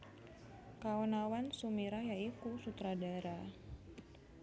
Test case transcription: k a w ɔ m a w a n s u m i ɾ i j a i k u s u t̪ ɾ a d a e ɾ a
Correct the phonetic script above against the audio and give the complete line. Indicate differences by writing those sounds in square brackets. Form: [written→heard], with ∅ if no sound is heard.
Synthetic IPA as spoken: k a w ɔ [m→n] a w a n s u m i ɾ [i→a] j a i k u s u t̪ ɾ a d a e ɾ a